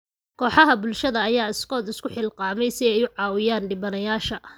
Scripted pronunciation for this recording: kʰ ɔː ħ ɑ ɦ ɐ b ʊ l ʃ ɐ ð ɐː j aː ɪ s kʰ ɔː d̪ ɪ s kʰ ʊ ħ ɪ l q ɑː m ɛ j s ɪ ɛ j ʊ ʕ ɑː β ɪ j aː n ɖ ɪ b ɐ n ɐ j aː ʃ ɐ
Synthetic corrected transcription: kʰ ɔː ħ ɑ ɦ ɐ b ʊ l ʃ ɐ ð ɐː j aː ɪ s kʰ ɔː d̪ ɪ s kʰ ʊ ħ ɪ l q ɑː m ɛ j s ɪ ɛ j ʊ ʕ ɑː w ɪ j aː n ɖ ɪ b ɐ n ɐ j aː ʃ ɐ